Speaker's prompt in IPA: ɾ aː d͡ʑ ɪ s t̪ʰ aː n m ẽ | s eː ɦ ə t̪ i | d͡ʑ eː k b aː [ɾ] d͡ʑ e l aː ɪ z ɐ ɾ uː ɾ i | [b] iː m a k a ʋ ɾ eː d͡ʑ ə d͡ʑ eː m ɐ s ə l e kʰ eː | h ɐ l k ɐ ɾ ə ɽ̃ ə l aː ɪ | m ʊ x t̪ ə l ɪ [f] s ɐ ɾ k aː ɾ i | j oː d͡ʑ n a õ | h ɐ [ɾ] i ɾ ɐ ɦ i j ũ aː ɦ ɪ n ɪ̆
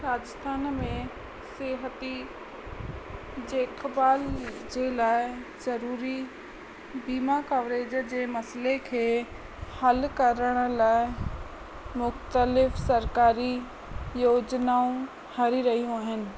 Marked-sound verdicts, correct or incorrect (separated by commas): incorrect, correct, correct, correct